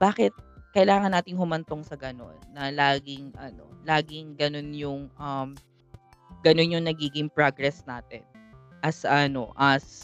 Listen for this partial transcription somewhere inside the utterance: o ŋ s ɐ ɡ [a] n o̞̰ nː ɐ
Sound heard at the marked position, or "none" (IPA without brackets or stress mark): ɐ